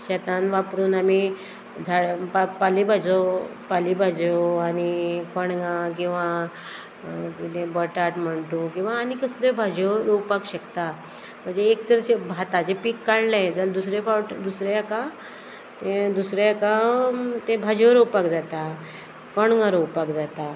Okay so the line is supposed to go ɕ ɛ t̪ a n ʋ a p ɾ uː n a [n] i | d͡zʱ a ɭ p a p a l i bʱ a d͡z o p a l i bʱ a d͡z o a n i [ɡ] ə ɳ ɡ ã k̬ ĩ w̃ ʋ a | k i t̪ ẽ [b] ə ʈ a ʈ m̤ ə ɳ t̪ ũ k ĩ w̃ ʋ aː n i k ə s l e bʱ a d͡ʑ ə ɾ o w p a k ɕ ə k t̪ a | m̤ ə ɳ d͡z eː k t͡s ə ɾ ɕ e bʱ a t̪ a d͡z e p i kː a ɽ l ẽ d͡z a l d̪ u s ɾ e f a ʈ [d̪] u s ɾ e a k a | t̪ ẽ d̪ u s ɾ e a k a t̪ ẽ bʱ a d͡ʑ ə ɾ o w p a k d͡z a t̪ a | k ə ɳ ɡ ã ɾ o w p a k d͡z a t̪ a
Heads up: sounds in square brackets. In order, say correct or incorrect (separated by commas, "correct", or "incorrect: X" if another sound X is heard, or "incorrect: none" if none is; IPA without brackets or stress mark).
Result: incorrect: m, incorrect: k, correct, correct